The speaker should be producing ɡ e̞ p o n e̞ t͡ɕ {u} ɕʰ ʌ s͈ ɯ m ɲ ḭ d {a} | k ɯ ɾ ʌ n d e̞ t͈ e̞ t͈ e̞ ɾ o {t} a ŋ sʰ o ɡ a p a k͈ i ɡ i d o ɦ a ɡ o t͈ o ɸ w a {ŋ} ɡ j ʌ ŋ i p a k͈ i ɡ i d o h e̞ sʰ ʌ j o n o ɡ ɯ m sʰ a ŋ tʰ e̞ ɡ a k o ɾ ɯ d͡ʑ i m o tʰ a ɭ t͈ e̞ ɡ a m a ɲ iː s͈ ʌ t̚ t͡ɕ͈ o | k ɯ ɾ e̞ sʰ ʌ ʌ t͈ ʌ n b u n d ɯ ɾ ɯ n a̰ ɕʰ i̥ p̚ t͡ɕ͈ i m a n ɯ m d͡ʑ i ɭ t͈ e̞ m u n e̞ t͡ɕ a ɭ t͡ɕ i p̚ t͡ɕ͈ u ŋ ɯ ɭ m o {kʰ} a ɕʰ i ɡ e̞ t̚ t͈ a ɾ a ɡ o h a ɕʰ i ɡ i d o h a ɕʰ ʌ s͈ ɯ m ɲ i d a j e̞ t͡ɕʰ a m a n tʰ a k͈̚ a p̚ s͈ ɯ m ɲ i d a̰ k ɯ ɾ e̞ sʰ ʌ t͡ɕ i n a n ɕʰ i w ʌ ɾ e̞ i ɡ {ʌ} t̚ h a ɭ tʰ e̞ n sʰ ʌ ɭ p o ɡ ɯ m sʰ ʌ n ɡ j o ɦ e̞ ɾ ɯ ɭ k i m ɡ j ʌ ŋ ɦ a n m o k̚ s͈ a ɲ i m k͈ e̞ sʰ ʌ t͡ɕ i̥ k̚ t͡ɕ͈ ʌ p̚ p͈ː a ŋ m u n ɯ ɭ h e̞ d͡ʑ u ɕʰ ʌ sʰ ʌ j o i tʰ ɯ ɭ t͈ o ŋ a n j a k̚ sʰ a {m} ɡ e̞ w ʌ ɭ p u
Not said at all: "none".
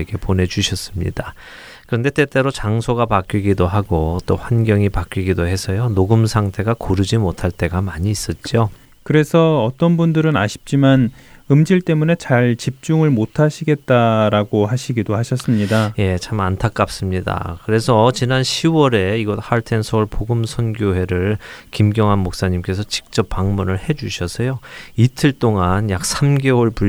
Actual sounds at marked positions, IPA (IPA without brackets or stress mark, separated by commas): u, a, t͡ɕ, n, tʰ, ʌ, m